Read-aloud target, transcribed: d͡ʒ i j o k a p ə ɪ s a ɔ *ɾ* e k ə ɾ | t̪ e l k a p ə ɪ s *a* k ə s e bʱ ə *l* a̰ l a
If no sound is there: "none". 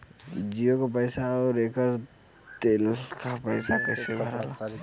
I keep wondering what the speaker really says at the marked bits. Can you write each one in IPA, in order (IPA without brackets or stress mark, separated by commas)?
ɾ, a, ɾ